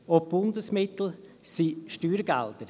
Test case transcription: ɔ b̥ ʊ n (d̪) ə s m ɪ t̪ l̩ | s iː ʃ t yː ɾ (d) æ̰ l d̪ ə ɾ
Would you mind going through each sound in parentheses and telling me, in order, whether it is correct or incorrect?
correct, incorrect: ɡ

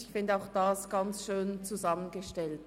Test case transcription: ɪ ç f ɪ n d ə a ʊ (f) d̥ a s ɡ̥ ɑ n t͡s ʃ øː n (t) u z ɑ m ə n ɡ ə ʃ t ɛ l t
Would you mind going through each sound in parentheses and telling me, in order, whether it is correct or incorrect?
incorrect: x, incorrect: t͡s

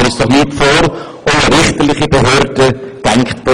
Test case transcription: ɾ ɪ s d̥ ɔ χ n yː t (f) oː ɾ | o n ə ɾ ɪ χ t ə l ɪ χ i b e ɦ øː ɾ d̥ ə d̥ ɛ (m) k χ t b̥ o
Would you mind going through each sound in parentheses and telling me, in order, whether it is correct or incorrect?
correct, incorrect: ŋ

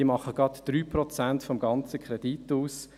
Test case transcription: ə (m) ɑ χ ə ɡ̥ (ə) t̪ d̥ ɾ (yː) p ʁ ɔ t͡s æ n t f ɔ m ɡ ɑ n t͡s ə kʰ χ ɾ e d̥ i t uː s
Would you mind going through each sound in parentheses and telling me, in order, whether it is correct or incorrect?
correct, incorrect: ɑ, correct

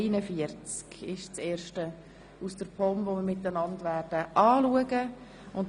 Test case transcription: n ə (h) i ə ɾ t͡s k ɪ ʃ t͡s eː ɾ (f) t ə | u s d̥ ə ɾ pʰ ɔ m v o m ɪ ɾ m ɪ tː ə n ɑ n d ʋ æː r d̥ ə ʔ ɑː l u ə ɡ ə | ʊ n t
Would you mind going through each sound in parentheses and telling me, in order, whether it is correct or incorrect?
incorrect: f, incorrect: ʃ

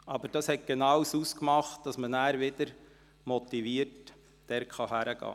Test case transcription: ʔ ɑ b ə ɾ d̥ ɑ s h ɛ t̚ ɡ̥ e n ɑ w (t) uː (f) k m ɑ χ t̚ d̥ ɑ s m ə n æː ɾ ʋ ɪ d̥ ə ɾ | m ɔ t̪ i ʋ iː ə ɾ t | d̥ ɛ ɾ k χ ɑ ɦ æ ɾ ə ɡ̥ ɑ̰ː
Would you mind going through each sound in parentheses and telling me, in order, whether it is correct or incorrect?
incorrect: s, incorrect: s

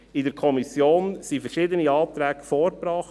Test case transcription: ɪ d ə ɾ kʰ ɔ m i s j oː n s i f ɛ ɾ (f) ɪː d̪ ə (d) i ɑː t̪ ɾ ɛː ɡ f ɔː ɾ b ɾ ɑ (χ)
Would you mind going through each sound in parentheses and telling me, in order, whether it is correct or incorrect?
incorrect: ʃ, incorrect: n, correct

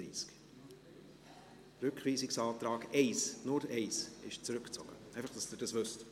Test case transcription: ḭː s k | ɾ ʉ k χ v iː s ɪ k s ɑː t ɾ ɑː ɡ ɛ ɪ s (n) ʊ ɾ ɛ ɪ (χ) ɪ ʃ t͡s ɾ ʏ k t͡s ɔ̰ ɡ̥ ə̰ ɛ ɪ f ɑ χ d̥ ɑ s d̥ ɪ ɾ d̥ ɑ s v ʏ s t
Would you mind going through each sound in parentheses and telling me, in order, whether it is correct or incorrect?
correct, incorrect: s

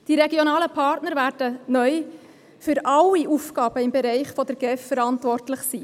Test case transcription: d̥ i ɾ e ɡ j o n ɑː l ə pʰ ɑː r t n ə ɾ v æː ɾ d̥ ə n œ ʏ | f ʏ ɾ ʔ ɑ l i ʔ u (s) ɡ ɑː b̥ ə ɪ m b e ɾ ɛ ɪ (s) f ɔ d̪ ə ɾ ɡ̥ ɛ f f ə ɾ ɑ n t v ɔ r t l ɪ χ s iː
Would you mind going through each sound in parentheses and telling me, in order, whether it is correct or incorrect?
incorrect: f, incorrect: χ

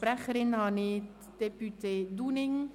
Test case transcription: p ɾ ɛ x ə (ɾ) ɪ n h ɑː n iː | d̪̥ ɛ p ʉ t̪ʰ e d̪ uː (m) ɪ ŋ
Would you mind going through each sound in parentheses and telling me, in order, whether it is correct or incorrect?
correct, incorrect: n

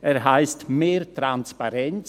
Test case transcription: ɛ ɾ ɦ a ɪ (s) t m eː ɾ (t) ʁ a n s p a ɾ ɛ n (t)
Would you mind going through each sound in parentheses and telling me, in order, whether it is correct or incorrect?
correct, correct, incorrect: t͡s

